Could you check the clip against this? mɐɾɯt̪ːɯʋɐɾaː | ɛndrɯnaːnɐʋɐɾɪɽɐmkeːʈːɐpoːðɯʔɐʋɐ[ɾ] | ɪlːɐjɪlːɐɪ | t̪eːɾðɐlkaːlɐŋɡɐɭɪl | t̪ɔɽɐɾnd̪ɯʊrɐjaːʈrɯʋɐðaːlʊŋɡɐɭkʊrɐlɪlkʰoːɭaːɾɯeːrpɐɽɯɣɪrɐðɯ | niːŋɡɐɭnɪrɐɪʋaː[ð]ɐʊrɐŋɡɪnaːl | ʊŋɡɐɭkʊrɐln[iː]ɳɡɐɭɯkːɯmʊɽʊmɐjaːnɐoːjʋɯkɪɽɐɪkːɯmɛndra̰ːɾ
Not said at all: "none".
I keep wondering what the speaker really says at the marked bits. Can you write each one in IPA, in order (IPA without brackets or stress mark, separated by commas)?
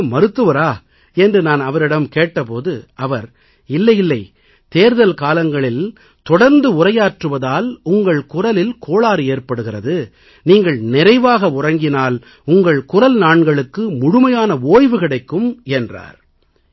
ɾ, ɣ, aː